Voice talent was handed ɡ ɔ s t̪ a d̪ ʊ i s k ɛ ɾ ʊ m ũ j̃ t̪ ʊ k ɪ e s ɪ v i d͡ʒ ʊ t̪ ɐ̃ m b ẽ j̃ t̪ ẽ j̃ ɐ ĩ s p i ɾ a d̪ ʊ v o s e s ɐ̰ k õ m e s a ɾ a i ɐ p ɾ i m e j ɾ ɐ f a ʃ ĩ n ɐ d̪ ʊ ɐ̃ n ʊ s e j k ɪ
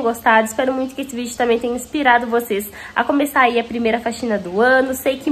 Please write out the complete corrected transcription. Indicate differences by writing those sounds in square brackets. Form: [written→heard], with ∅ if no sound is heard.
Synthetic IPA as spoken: ɡ [ɔ→o] s t̪ a d̪ ʊ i s [k→p] ɛ ɾ ʊ m ũ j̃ t̪ ʊ k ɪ e s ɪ v i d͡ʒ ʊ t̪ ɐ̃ m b ẽ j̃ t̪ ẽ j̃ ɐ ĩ s p i ɾ a d̪ ʊ v o s e s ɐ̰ k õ m e s a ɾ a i ɐ p ɾ i m e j ɾ ɐ f a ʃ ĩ n ɐ d̪ ʊ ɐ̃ n ʊ s e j k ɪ